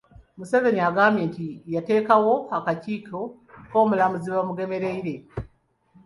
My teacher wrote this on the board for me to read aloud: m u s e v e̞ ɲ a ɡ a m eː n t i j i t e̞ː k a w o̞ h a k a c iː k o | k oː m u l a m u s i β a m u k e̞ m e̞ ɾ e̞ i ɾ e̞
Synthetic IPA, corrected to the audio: m u s e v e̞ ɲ a ɡ a m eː n t i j a t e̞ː k a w o̞ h a k a c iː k o | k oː m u l a m u z i β a m u ɡ e̞ m e̞ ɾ e̞ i ɾ e̞